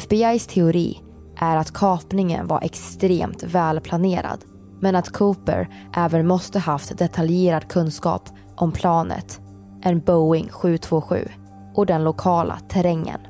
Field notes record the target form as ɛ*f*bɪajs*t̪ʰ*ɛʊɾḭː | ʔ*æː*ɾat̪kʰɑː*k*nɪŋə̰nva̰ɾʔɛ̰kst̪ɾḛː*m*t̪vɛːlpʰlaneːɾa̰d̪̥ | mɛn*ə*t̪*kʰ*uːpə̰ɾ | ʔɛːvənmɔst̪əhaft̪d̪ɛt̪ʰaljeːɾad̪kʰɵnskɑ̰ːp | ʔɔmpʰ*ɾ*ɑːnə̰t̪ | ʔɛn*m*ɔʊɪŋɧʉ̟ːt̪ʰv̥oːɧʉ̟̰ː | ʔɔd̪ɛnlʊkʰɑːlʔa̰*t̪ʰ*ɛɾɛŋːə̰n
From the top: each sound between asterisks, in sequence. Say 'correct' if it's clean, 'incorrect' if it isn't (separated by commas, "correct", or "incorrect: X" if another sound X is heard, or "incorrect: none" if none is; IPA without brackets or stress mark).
correct, correct, incorrect: æ, incorrect: p, correct, incorrect: a, correct, incorrect: l, incorrect: b, correct